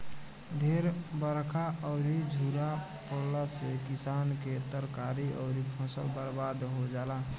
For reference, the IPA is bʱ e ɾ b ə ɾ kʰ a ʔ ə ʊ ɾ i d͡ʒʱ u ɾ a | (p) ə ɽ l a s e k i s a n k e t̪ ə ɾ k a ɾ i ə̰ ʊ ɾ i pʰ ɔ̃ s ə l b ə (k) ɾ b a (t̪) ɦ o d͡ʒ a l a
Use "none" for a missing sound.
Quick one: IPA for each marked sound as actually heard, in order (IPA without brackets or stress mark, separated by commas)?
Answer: p, none, d̪